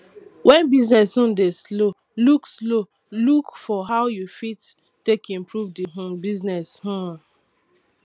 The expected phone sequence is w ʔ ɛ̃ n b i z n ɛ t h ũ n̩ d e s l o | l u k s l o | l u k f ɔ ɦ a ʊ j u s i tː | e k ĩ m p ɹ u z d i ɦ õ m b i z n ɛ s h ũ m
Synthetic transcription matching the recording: w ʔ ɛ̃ n b i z n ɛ s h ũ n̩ d e s l o | l u k s l o | l u k f ɔ ɦ a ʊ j u f i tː | e k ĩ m p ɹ u v d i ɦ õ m b i z n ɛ s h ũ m